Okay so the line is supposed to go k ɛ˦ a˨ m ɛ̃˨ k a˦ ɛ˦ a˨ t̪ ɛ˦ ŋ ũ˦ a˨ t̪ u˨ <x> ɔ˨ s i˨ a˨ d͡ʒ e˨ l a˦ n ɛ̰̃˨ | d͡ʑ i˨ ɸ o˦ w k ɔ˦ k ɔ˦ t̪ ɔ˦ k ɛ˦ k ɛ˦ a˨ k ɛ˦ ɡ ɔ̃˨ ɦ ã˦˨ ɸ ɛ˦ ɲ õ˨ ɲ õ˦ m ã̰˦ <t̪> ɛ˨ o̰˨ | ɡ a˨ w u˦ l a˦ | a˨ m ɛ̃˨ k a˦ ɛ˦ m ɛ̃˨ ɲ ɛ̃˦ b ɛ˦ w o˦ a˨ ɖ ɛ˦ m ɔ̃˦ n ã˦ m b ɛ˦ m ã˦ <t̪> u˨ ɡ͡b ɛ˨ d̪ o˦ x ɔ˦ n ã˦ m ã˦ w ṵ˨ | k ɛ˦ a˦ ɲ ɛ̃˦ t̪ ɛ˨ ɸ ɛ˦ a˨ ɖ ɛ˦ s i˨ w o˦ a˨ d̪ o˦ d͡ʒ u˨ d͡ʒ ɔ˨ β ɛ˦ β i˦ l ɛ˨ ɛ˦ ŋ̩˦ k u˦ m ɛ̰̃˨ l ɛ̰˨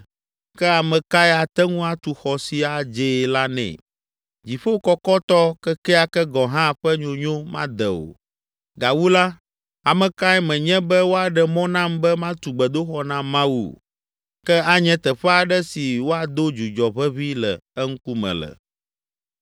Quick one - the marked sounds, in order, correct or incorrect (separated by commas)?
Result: correct, incorrect, correct